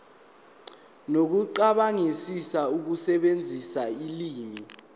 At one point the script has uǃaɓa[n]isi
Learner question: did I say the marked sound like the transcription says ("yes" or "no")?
no